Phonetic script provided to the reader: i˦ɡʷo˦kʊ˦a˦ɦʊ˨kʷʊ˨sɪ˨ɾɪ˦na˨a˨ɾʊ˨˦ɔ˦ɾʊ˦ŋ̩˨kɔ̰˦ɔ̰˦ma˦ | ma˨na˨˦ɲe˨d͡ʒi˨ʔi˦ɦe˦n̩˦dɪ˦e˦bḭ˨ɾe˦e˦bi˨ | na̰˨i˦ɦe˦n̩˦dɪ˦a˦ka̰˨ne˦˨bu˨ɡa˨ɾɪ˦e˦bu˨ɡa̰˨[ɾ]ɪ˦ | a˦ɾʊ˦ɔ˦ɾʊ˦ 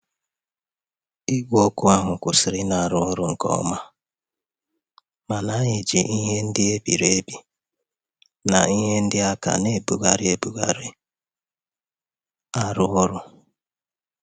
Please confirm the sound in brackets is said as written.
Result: yes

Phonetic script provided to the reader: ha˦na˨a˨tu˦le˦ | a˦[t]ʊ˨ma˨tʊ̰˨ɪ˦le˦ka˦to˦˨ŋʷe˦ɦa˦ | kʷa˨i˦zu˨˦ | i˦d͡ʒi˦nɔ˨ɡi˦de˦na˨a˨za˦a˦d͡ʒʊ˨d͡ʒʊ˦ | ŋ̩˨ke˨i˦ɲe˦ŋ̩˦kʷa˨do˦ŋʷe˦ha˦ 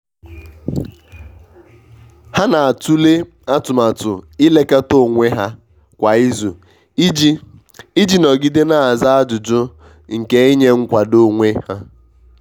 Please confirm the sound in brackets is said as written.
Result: yes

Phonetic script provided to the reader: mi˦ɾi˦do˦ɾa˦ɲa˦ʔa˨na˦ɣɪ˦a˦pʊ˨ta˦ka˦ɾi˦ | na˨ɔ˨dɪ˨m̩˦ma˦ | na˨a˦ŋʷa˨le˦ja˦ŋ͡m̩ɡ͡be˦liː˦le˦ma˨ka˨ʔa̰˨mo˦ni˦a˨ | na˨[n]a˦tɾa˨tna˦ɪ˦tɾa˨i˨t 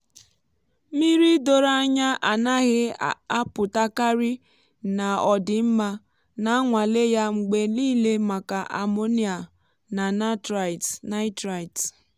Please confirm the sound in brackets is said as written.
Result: yes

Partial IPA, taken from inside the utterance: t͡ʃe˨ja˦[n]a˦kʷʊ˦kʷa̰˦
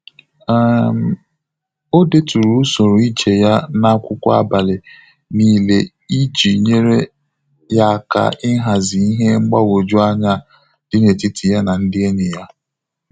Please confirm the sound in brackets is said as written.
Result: yes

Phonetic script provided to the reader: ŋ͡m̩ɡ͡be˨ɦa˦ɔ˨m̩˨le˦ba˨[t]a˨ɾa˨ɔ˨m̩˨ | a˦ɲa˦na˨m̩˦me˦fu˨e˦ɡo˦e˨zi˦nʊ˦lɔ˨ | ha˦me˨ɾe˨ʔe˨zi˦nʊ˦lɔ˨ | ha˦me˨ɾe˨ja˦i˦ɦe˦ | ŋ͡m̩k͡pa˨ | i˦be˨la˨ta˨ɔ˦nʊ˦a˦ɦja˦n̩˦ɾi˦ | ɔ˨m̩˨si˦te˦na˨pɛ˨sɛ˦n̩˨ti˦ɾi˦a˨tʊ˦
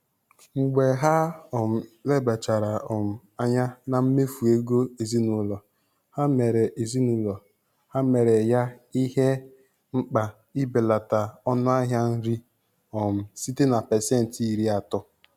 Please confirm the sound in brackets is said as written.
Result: no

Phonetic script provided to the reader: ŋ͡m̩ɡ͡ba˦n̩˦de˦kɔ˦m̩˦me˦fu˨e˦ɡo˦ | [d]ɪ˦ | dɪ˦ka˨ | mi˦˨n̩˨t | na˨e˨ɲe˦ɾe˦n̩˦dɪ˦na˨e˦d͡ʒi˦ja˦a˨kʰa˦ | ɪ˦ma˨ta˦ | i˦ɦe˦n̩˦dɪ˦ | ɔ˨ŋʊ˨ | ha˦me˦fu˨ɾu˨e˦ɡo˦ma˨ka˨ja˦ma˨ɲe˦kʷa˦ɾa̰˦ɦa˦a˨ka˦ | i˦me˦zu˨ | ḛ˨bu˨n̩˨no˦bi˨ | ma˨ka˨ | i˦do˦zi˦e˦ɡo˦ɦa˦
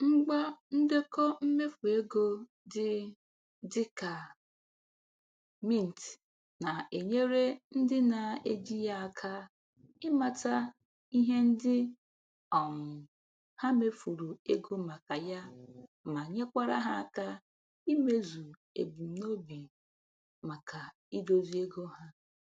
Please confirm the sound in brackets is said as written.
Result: yes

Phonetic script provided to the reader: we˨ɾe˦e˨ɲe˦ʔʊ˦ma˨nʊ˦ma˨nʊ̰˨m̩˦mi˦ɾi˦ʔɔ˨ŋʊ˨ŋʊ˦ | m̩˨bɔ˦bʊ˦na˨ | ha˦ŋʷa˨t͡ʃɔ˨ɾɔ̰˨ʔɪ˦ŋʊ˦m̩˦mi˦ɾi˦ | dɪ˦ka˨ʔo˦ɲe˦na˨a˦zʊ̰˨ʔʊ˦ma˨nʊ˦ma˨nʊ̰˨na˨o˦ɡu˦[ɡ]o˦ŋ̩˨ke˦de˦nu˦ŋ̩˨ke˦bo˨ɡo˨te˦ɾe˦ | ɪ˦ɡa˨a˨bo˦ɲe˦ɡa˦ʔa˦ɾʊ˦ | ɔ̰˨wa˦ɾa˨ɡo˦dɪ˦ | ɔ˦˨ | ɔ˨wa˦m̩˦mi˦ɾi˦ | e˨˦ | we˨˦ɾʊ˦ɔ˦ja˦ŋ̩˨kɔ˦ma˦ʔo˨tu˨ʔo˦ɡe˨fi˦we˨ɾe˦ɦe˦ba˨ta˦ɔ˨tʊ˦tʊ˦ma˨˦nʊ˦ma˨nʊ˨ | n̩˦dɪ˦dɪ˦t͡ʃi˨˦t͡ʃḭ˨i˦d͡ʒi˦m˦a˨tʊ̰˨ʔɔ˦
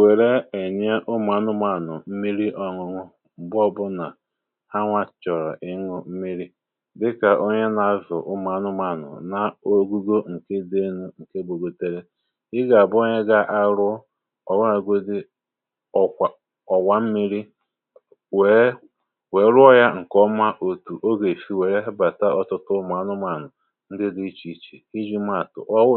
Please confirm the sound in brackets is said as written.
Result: yes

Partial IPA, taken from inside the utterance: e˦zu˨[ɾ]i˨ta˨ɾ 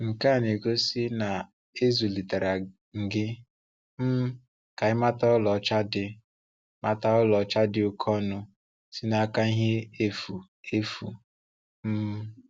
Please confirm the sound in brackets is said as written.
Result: no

